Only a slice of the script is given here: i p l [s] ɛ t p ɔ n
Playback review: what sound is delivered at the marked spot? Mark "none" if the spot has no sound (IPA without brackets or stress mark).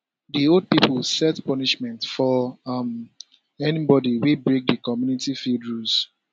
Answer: s